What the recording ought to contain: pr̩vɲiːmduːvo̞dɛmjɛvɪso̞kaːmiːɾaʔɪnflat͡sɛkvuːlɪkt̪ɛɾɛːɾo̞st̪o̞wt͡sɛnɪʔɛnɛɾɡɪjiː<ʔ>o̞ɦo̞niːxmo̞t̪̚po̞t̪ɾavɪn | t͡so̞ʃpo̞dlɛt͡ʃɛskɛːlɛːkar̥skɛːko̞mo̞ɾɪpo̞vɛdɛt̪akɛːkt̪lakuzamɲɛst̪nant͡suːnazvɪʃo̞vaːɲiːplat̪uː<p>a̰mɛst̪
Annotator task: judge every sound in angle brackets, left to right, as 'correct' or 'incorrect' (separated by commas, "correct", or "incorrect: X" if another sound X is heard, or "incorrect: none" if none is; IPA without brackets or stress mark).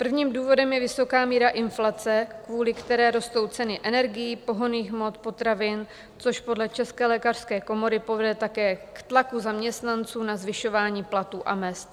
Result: incorrect: p, incorrect: ʔ